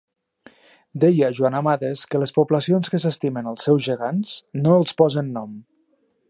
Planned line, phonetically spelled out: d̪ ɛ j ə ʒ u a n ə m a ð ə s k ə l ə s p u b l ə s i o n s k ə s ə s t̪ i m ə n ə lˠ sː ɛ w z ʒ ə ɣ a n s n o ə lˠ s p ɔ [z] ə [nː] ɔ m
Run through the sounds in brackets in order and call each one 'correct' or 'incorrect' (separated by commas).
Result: correct, correct